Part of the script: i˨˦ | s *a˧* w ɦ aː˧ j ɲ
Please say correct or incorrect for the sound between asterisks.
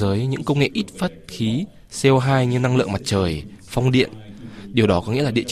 incorrect